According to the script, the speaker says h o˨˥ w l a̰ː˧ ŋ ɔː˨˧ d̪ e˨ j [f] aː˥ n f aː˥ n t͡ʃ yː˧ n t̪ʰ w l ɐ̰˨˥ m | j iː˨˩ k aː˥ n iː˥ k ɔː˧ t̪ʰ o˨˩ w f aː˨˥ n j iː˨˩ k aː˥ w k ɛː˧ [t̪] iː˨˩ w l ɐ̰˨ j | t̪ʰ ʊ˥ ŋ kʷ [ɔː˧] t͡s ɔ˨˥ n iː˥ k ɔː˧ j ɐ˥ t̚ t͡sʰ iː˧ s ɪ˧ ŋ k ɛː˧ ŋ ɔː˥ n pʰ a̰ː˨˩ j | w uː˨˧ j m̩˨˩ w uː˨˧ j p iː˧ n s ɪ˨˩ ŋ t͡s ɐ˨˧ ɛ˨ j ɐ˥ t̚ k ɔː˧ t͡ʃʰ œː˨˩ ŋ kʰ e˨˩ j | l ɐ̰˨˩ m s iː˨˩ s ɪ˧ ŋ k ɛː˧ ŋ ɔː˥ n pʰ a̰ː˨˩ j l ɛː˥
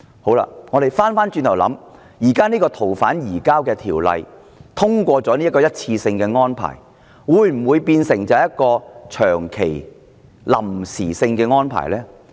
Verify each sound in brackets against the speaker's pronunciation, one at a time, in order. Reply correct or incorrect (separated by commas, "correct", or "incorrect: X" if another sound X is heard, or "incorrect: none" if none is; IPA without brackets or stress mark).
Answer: correct, incorrect: t̪ʰ, correct